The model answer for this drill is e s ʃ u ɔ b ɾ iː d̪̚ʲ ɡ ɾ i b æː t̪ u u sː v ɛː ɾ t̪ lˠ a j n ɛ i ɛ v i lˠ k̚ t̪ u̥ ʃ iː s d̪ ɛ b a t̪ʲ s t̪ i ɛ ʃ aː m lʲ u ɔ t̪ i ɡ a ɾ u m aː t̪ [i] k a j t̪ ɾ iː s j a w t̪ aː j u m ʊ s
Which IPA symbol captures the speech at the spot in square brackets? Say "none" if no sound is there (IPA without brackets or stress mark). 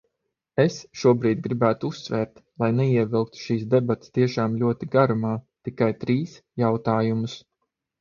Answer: i